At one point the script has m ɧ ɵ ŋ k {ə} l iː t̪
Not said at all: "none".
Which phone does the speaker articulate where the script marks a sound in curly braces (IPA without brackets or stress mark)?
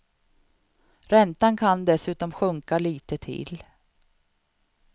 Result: a